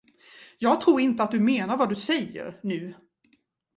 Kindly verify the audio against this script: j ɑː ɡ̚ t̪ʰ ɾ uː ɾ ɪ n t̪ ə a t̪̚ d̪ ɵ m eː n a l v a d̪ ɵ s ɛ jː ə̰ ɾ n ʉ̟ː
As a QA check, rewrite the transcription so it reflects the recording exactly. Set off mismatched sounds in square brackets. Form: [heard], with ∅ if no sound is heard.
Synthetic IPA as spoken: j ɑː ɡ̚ t̪ʰ ɾ uː ɾ ɪ n t̪ ə a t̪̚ d̪ ɵ m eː n a [ɾ] v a d̪ ɵ s ɛ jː ə̰ ɾ n ʉ̟ː